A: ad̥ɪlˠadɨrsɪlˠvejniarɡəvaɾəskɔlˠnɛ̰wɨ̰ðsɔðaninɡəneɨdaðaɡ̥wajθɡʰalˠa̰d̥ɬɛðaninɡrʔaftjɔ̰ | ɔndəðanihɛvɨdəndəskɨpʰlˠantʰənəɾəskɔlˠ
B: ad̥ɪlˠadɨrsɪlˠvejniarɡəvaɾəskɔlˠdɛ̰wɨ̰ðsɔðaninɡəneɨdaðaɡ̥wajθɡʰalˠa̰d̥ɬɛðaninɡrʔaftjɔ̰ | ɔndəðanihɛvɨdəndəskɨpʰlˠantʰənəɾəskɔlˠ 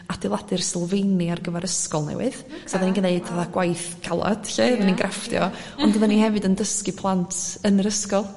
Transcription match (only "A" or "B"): A